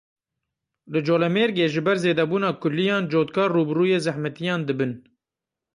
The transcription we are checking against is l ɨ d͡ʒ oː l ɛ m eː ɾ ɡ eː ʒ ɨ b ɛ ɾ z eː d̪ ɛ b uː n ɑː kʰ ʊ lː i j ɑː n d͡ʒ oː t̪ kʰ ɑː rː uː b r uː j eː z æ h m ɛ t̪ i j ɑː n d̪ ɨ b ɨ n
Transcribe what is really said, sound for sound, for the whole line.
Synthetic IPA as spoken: l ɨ d͡ʒ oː l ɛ m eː ɾ ɡ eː ʒ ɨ b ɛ ɾ z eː d̪ ɛ b uː n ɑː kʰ ʊ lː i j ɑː n d͡ʒ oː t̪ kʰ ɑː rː uː b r uː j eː z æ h m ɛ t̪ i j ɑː n d̪ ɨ b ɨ n